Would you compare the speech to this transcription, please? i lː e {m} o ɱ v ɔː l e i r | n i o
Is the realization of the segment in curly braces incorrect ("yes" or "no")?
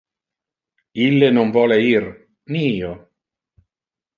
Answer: yes